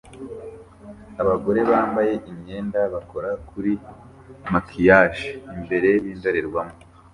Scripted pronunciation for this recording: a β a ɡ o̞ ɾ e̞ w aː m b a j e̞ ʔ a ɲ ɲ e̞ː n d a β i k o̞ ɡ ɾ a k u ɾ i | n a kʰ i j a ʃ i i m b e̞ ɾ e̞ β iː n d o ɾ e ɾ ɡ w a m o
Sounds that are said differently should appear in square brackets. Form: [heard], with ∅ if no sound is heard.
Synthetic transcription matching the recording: a β a ɡ o̞ ɾ e̞ [β] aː m b a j e̞ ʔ [i] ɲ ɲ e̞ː n d a β [a] k o̞ [∅] ɾ a k u ɾ i | [m] a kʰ i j a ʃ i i m b e̞ ɾ e̞ β iː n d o ɾ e ɾ ɡ w a m o